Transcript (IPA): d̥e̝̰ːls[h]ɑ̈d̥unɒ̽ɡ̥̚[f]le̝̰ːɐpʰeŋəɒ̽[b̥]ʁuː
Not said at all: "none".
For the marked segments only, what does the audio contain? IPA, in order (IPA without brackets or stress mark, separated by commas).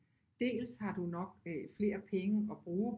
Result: h, f, b̥